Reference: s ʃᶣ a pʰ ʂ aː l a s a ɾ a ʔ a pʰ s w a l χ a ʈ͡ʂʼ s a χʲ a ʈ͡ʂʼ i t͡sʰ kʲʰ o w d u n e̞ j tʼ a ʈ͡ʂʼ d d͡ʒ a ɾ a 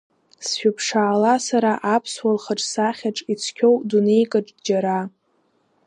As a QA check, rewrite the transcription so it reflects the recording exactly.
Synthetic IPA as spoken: s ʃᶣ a pʰ ʂ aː l a s a ɾ a ʔ a pʰ s w a l χ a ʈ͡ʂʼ s a χʲ a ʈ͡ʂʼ i t͡sʰ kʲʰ o w d u n e̞ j kʼ a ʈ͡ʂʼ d d͡ʒ a ɾ a